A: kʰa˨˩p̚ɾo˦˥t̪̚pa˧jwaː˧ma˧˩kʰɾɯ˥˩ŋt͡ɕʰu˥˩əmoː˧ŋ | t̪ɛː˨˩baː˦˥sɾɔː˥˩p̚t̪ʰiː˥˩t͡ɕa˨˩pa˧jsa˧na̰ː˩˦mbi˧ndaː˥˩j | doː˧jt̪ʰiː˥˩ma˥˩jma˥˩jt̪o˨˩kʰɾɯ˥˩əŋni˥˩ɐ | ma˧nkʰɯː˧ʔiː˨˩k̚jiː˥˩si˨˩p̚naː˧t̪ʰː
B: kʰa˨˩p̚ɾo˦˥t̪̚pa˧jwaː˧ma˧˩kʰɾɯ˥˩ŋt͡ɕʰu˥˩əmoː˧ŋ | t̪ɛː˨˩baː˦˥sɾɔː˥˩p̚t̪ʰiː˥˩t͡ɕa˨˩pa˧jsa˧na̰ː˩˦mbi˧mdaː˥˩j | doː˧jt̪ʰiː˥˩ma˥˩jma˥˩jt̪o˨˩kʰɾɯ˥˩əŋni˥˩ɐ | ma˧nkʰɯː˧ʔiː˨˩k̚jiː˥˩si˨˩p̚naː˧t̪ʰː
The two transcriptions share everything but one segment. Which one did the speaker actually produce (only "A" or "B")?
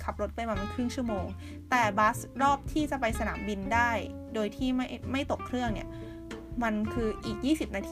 A